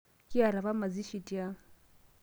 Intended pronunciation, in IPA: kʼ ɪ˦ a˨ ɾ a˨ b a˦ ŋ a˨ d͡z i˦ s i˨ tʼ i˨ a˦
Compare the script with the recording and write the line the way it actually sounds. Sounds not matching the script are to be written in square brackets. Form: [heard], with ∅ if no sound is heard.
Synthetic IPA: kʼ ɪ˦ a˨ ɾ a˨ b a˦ [m] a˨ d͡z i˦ [ʃ] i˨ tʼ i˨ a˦